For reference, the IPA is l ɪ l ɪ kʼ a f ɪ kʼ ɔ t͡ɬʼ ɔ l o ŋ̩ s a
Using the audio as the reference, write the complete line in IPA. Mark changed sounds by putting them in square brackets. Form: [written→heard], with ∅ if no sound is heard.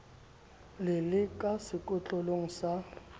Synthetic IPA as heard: l ɪ l ɪ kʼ a [f→s] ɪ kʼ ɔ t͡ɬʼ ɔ l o ŋ̩ s a

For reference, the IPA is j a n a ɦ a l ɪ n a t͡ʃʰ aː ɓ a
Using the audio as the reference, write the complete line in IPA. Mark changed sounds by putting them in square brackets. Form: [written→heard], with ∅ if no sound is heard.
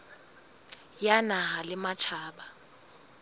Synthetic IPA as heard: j a n a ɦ a l ɪ [n→m] a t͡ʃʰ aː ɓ a

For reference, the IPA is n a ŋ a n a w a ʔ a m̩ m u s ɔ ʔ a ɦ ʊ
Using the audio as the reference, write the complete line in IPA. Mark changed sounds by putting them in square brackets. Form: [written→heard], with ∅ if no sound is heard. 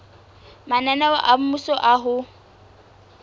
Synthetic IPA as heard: [n→m] a [ŋ→n] a n a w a ʔ a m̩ m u s ɔ ʔ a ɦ ʊ

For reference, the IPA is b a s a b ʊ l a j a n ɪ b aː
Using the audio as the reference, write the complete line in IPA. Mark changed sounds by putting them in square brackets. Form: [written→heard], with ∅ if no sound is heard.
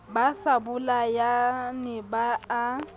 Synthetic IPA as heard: b a s a b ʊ l a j a n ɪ b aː

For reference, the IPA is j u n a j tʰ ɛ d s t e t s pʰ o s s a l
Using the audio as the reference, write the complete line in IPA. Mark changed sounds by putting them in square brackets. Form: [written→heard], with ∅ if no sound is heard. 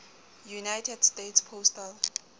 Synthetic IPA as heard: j u n a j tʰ ɛ d s t e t s pʰ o s [s→t] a l

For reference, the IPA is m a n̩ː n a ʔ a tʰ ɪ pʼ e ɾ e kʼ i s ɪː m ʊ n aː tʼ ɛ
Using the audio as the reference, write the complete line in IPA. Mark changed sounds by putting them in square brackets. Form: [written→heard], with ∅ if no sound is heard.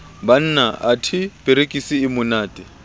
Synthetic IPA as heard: [m→b] a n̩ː n a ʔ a tʰ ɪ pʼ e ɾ e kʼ i s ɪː m ʊ n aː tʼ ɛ

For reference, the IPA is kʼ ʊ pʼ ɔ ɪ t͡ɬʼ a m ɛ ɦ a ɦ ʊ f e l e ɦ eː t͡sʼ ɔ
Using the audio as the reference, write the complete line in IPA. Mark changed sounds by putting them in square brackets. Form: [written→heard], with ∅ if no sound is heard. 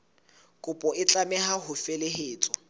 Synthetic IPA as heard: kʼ ʊ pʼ ɔ ɪ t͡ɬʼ a m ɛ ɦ a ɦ ʊ f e l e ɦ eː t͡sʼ ɔ

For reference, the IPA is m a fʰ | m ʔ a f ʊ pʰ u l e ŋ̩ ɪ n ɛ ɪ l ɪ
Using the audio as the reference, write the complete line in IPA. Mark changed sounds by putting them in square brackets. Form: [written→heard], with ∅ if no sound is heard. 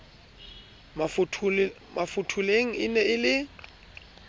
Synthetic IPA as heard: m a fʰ | m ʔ a f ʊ [pʰ→tʰ] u l e ŋ̩ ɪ n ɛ ɪ l ɪ

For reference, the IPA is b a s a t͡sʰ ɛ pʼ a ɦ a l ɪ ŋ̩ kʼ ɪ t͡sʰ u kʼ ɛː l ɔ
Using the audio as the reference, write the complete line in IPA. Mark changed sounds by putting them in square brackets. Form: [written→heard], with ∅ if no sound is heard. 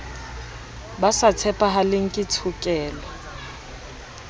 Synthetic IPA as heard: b a s a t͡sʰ ɛ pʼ a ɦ a l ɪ ŋ̩ kʼ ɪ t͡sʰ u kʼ ɛː l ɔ

